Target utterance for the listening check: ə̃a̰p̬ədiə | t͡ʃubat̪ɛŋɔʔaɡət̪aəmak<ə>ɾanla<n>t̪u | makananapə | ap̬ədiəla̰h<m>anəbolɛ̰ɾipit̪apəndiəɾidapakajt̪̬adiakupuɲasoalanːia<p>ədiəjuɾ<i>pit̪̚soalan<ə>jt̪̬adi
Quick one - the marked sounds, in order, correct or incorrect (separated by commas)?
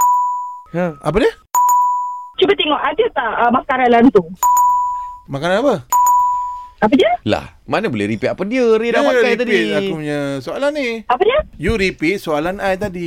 incorrect, correct, correct, correct, correct, incorrect